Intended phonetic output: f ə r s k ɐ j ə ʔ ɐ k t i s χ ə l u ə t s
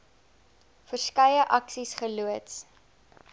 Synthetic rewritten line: f ə r s k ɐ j ə ʔ ɐ k s i s χ ə l u ə t s